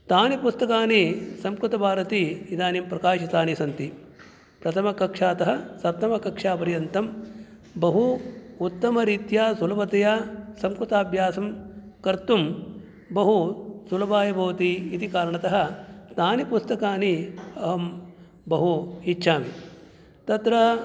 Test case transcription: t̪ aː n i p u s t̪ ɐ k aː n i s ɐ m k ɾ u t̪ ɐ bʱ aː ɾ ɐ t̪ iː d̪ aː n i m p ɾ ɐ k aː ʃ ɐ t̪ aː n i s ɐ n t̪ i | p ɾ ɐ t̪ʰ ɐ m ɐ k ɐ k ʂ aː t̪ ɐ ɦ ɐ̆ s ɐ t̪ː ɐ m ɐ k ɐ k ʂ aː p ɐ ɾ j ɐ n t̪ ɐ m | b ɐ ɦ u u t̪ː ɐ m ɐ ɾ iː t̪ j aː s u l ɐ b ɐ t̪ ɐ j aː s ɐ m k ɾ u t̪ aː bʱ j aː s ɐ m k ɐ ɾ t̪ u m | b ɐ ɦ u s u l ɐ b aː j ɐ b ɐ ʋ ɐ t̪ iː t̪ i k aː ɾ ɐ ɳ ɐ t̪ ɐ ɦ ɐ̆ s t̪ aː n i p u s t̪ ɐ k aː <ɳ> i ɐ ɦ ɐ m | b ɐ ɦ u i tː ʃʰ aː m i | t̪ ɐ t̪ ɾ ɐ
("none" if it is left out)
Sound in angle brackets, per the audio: n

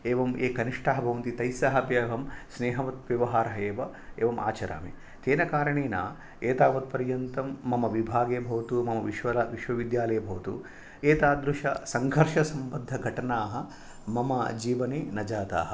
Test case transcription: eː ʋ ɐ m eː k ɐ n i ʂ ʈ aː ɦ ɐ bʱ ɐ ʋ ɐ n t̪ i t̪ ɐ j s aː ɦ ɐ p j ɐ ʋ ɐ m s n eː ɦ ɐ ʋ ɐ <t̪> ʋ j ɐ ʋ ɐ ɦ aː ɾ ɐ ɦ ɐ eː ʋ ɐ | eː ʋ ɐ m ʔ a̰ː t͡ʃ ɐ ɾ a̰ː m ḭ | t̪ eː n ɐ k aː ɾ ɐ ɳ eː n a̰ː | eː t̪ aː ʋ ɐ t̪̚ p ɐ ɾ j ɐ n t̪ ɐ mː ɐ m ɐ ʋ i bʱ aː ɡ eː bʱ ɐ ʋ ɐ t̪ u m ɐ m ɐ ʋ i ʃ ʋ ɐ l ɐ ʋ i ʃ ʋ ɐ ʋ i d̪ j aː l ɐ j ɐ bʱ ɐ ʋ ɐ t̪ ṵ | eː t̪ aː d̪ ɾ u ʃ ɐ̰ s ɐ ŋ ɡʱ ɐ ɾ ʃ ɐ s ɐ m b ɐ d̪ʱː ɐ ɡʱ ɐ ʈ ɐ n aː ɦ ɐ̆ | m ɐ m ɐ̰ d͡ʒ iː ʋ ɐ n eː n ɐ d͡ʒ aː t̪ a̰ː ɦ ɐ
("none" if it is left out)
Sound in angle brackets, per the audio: t̪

